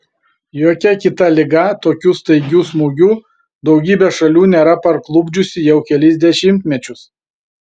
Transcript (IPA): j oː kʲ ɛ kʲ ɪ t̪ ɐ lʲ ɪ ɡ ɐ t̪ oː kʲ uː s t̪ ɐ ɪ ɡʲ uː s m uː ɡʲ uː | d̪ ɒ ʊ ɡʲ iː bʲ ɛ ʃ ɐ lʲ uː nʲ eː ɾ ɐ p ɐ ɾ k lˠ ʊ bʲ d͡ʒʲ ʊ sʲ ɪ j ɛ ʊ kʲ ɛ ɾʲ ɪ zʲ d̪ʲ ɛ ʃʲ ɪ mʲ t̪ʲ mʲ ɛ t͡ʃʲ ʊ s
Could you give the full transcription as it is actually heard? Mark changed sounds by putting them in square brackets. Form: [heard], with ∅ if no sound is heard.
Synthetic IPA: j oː kʲ ɛ kʲ ɪ t̪ ɐ lʲ ɪ ɡ ɐ t̪ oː kʲ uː s t̪ ɐ ɪ ɡʲ uː s m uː ɡʲ uː | d̪ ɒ ʊ ɡʲ iː bʲ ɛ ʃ ɐ lʲ uː nʲ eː ɾ ɐ p ɐ ɾ k lˠ ʊ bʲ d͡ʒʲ ʊ sʲ ɪ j ɛ ʊ kʲ ɛ [lʲ] ɪ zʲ d̪ʲ ɛ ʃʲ ɪ mʲ t̪ʲ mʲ ɛ t͡ʃʲ ʊ s